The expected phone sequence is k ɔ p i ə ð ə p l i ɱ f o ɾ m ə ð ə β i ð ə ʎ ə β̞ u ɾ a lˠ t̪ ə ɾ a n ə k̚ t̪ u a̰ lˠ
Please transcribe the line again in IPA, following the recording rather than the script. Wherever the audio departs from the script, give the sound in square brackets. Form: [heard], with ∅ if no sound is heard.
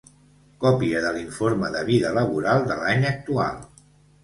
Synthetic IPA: k ɔ p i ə ð ə [∅] l i ɱ f o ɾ m ə ð ə β i ð ə [l] ə β̞ u ɾ a lˠ [d̪] ə [l] a [ɲ] ə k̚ t̪ u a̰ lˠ